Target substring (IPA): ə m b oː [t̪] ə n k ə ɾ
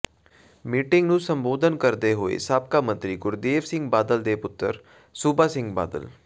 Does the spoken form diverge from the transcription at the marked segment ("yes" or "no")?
yes